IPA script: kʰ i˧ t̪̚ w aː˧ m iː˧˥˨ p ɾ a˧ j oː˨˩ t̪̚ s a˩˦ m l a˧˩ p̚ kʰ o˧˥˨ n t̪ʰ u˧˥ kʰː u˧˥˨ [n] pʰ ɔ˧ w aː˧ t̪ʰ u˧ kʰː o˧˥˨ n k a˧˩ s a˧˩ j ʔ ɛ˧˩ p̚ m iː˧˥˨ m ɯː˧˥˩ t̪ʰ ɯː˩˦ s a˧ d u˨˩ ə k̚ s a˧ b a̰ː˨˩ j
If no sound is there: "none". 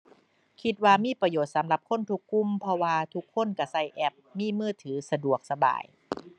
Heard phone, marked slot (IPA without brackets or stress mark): m